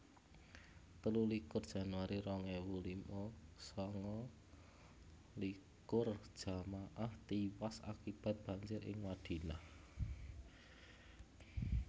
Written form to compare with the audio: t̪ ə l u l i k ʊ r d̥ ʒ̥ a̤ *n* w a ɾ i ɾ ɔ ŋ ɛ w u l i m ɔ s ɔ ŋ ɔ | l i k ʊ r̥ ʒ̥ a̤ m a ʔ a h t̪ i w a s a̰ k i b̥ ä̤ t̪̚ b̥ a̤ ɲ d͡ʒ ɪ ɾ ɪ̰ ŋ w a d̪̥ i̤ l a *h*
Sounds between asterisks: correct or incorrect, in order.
correct, correct

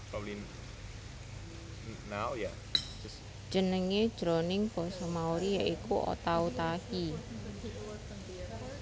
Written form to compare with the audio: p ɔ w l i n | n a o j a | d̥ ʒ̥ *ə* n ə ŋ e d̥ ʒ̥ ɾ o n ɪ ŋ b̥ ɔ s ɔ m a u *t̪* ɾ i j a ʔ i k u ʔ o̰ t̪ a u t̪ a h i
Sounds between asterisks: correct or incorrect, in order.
correct, incorrect

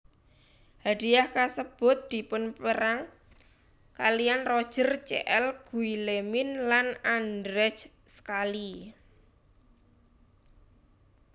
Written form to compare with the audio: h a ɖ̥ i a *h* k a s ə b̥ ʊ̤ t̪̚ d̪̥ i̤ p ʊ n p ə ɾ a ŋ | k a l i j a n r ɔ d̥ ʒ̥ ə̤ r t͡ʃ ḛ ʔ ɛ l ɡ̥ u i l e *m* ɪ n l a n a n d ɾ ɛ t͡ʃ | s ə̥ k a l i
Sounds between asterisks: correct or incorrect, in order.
correct, correct

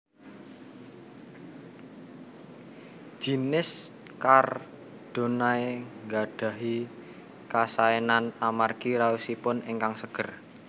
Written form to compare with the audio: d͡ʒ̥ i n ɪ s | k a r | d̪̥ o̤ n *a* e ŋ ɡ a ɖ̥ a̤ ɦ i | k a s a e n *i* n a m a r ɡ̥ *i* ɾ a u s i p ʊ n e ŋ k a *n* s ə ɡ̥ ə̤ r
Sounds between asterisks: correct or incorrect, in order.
correct, incorrect, correct, incorrect

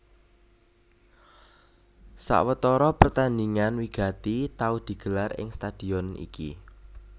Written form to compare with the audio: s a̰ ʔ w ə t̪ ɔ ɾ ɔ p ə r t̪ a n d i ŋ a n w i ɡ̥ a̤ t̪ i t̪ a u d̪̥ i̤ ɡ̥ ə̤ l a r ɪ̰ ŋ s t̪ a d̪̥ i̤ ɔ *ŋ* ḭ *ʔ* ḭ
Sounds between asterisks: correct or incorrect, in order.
incorrect, incorrect

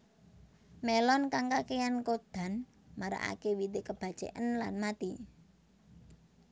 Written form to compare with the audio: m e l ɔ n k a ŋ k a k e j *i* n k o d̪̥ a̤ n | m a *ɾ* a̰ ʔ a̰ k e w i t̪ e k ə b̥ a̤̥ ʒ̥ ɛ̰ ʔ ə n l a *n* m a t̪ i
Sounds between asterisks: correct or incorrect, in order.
incorrect, correct, correct

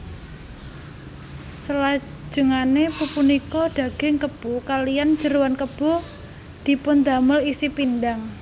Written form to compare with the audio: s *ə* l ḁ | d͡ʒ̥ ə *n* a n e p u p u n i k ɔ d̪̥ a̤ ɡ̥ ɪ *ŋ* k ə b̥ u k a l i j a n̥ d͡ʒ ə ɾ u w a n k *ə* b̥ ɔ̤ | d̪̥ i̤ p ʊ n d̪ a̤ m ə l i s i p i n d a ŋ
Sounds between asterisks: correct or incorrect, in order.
correct, incorrect, correct, correct

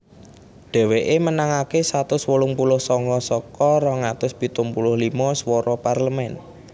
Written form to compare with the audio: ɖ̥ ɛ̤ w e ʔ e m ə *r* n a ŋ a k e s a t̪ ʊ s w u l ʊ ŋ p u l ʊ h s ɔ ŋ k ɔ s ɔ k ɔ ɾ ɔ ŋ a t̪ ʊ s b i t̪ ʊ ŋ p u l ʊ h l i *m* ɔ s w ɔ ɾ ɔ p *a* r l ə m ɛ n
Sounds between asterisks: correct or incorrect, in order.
incorrect, correct, correct

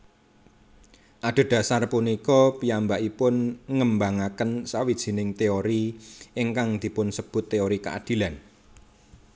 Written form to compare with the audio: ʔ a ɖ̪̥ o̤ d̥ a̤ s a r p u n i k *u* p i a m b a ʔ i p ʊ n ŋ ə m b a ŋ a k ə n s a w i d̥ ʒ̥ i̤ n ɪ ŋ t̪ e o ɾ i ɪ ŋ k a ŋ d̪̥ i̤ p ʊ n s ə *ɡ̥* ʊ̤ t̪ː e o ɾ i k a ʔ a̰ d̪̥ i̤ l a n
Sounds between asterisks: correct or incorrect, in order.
incorrect, incorrect

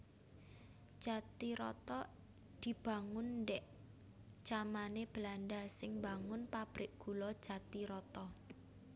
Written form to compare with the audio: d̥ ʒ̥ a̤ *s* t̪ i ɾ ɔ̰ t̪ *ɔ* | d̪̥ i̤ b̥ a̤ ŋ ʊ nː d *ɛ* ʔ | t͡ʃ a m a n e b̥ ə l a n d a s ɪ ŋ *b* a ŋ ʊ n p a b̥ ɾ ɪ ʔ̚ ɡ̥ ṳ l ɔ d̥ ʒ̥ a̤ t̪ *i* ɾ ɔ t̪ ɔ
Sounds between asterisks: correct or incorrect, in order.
incorrect, correct, correct, correct, correct

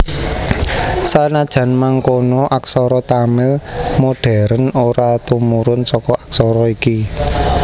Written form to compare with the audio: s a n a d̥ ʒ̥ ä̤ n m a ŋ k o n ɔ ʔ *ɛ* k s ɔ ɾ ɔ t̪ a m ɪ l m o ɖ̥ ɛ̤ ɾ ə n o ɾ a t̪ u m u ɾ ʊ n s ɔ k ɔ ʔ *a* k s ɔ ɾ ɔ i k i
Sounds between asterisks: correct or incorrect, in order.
incorrect, correct

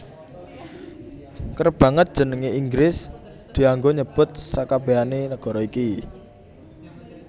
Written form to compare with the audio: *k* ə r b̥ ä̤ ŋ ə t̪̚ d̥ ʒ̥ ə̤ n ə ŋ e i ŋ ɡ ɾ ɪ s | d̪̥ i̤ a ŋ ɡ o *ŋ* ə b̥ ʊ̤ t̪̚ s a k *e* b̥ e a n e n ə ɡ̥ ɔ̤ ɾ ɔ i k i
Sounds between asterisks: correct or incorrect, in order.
correct, incorrect, incorrect

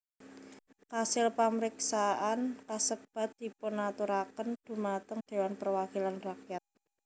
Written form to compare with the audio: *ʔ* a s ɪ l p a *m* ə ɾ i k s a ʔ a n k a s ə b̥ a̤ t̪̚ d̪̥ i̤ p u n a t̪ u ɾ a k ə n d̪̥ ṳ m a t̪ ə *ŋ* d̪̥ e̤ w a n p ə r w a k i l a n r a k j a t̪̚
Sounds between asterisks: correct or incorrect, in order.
incorrect, correct, correct

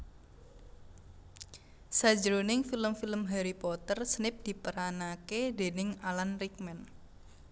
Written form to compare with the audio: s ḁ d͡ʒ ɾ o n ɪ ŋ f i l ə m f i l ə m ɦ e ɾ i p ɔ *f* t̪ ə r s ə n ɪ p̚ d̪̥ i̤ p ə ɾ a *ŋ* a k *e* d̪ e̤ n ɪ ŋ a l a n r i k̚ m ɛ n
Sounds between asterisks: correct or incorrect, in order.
incorrect, incorrect, correct

